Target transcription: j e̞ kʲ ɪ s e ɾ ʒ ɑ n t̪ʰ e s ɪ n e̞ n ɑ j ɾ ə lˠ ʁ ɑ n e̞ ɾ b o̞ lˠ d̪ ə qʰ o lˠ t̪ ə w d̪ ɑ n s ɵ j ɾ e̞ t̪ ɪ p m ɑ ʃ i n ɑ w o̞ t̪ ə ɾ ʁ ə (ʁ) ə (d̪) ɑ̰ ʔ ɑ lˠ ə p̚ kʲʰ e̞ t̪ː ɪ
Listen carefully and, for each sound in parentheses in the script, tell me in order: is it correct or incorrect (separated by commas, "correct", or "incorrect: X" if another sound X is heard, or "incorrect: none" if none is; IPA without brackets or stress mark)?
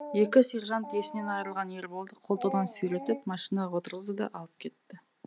incorrect: z, correct